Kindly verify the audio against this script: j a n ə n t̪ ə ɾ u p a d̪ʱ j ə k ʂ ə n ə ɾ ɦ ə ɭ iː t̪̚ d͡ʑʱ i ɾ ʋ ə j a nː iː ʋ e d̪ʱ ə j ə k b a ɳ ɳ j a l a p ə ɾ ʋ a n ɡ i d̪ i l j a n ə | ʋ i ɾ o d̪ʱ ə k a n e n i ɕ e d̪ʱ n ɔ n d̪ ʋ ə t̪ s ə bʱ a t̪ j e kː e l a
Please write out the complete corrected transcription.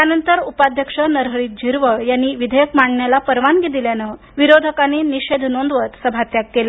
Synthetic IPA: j a n ə n t̪ ə ɾ u p a d̪ʱ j ə k ʂ ə n ə ɾ ɦ ə ɭ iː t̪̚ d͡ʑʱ i ɾ ʋ ə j a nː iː ʋ i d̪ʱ ə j ə k m a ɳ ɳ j a l a p ə ɾ ʋ a n ɡ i d̪ i l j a n ə | ʋ i ɾ o d̪ʱ ə k a n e n i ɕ e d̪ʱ n o n d̪ ʋ ə t̪ s ə bʱ a t̪ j a kː e l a